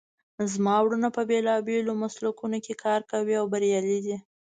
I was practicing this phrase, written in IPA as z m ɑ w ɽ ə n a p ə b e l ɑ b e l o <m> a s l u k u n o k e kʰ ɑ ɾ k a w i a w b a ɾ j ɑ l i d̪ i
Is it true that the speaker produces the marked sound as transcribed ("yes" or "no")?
yes